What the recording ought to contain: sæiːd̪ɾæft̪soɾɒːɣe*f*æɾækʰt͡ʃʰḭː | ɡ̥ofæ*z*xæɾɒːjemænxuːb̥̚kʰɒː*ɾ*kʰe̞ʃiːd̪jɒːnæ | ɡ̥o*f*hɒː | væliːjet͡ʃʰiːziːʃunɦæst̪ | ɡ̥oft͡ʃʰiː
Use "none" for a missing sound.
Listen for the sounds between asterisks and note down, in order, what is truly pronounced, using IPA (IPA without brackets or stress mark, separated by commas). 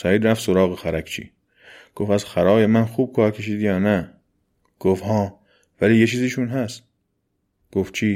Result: x, z, ɾ, f